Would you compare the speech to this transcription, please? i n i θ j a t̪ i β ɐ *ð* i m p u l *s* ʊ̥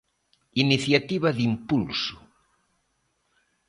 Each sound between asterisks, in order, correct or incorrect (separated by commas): correct, correct